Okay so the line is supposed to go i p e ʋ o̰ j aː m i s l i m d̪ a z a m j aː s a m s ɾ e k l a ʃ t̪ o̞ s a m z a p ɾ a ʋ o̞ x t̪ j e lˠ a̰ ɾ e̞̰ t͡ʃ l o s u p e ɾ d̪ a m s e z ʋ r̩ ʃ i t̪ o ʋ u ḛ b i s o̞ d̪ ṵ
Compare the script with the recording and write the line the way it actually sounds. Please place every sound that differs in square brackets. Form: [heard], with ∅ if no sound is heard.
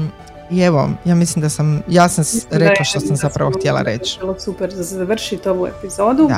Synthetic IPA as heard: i [∅] e ʋ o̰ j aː m i s l i m d̪ a [s] a m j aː s a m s ɾ e k l a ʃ t̪ o̞ s a m z a p ɾ a ʋ o̞ x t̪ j e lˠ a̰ ɾ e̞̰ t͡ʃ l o s u p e ɾ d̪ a [∅] s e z ʋ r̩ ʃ i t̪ o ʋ u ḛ [p] i [z] o̞ d̪ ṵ